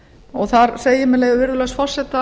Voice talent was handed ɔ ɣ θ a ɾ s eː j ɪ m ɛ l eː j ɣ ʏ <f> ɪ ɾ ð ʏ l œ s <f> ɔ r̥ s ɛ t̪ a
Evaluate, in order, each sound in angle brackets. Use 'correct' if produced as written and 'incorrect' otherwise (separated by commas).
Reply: incorrect, correct